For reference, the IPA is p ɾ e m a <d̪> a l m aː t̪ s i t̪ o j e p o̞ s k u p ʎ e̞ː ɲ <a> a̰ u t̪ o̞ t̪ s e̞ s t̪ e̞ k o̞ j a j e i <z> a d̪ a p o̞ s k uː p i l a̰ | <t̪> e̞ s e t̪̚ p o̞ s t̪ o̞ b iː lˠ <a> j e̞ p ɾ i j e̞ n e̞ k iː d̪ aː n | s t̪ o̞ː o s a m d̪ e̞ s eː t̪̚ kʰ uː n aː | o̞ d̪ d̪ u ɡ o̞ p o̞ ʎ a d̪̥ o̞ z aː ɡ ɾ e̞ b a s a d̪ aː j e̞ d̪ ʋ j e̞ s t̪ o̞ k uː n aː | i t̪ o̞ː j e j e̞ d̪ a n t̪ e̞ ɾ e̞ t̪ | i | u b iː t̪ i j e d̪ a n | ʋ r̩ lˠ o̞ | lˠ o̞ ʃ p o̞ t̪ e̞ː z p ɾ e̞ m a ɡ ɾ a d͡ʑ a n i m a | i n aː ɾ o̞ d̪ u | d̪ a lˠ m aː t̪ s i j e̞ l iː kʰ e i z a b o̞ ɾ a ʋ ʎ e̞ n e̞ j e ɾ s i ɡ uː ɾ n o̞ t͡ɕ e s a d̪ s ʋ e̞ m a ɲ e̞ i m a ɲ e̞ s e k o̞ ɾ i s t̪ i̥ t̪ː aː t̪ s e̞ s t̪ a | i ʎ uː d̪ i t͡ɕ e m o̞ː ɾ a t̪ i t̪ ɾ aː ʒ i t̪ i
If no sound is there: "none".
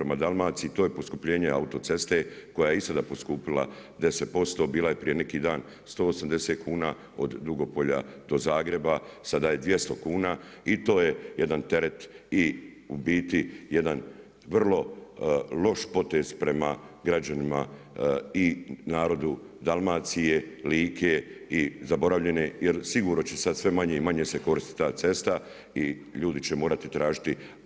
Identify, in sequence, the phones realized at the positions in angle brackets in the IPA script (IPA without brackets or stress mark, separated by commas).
d̪, e, s, d̪, a